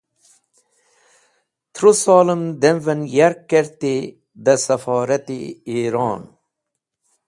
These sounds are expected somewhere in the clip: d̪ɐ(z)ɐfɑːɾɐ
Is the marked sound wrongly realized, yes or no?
yes